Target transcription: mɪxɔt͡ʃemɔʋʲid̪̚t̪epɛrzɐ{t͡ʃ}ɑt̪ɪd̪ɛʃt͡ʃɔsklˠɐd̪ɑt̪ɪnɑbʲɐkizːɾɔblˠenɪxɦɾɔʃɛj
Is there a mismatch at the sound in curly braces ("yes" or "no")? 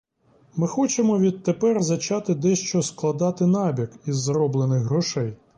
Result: no